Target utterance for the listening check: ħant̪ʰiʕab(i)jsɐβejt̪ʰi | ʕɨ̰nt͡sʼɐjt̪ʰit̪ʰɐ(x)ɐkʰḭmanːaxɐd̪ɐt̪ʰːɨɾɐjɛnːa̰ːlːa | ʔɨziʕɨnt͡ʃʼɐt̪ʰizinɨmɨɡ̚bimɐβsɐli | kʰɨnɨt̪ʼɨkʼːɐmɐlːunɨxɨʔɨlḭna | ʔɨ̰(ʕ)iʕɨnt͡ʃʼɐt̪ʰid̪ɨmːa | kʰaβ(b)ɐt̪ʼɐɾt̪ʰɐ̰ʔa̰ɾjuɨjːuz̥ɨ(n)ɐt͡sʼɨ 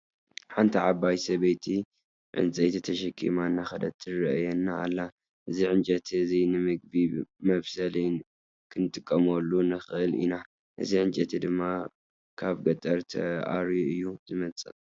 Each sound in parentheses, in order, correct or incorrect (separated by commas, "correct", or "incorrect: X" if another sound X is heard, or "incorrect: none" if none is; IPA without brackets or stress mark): incorrect: a, incorrect: ʃ, incorrect: z, incorrect: ɡ, incorrect: m